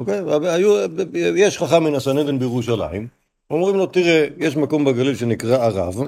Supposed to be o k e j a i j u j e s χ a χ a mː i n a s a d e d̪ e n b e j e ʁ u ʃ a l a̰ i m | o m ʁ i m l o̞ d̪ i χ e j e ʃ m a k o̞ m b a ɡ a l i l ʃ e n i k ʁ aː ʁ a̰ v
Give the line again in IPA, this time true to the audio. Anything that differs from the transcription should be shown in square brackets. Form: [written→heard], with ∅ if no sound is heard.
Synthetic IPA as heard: o k e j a [i→a] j u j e [s→ʃ] χ a χ a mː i n a s a [d→n] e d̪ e n b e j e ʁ u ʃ a l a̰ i m | o m ʁ i m l o̞ [d̪→t̪] i [χ→ʁ] e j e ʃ m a k o̞ m b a ɡ a l i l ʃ e n i k ʁ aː ʁ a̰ v